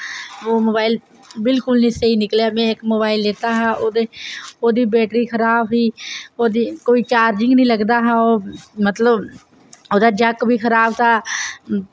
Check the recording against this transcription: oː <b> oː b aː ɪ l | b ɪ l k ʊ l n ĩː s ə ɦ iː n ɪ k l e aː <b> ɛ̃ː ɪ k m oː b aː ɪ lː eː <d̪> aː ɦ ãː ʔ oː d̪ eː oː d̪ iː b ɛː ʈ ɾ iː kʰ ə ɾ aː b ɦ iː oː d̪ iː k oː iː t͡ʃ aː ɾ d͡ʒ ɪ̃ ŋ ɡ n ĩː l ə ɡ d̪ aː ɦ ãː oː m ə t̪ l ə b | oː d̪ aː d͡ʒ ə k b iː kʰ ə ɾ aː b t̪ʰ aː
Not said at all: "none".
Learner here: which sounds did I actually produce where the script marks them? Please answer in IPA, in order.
m, m, t̪

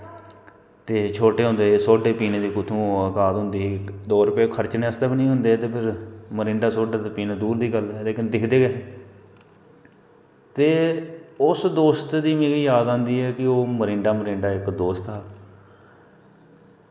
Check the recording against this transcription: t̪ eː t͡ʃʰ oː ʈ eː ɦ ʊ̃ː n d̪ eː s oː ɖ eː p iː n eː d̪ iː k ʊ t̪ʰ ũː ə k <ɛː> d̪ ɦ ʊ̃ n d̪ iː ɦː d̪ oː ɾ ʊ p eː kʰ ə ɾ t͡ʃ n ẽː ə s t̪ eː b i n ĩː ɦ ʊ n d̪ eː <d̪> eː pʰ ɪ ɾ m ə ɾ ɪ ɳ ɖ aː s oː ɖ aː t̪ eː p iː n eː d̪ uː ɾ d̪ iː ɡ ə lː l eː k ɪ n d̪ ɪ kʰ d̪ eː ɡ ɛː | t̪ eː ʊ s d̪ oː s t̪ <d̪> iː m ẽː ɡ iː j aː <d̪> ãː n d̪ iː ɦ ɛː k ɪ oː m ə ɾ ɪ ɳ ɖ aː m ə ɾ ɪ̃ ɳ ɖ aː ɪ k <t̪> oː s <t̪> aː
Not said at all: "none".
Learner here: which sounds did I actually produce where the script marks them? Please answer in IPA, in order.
aː, t̪, d̪, d̪, d̪, t̪

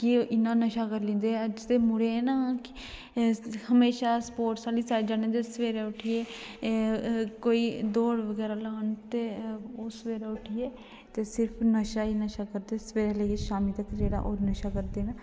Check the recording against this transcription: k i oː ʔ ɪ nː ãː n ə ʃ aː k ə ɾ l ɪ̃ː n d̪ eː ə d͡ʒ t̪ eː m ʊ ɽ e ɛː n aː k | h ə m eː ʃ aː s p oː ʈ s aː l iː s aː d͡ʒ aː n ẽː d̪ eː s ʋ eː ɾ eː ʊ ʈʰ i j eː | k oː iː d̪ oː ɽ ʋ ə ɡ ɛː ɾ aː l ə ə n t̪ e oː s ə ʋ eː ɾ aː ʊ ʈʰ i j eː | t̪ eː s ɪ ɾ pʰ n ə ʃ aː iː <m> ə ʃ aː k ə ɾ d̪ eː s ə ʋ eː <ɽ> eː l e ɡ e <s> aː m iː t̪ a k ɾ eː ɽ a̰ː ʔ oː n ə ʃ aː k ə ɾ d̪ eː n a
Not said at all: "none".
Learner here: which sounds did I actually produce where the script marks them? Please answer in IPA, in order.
n, ɾ, ʃ

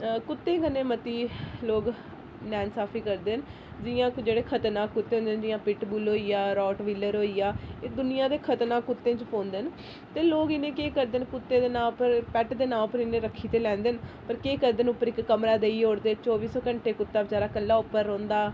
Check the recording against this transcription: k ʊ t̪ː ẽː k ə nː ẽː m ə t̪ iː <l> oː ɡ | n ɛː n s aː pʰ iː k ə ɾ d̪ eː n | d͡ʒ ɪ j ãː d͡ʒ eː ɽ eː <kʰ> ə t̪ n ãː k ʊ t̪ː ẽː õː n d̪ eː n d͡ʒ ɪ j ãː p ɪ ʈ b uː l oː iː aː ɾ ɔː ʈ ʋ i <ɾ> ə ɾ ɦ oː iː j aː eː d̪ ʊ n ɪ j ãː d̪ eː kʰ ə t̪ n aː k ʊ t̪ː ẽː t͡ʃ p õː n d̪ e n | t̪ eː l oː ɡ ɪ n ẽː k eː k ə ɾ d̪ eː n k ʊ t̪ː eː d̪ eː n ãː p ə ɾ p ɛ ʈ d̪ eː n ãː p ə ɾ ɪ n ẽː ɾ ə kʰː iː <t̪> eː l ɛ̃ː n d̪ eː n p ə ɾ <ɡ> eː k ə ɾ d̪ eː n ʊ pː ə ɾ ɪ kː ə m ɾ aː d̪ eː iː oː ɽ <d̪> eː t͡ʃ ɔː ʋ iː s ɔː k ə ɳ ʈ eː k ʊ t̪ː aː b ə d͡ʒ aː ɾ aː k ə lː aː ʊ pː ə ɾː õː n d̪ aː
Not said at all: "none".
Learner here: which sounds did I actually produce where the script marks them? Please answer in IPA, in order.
l, kʰ, l, t̪, k, d̪

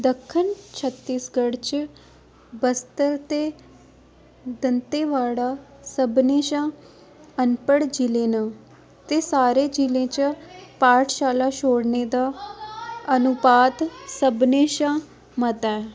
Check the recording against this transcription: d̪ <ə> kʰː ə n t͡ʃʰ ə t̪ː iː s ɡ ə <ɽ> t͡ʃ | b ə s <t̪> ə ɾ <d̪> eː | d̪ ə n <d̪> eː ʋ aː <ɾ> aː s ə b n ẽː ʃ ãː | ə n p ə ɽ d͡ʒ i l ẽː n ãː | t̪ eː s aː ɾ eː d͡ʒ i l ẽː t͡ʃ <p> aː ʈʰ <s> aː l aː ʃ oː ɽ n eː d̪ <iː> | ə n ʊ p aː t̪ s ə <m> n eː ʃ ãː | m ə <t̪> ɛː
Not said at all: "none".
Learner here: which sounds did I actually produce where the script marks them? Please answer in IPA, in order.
ə, ɽ, t̪, t̪, t̪, ɽ, p, ʃ, aː, b, t̪

